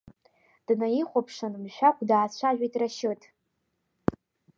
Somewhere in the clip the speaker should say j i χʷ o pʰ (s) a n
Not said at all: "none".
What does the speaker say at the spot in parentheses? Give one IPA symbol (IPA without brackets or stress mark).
ʂ